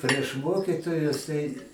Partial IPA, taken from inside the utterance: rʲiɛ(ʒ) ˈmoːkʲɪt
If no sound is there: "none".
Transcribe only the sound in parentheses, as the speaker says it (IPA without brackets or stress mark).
ʃ